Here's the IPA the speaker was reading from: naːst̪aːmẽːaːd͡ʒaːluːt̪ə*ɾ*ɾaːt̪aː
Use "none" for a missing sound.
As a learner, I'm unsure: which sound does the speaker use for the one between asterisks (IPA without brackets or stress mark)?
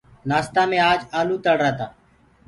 ɽ